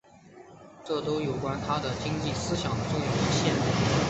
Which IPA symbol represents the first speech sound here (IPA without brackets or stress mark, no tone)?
ʈ͡ʂ